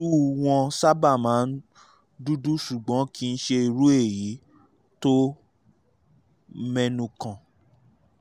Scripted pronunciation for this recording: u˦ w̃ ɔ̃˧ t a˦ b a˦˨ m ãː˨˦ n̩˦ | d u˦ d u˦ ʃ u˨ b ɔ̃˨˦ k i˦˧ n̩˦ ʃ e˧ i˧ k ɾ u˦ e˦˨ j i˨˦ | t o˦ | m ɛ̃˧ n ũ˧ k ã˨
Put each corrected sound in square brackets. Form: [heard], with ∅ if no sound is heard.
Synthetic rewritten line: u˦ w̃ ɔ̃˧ [s] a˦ b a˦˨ m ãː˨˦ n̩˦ | d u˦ d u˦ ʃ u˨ [ɡ͡b] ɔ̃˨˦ k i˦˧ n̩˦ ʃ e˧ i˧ [∅] ɾ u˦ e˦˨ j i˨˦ | t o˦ | m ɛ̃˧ n ũ˧ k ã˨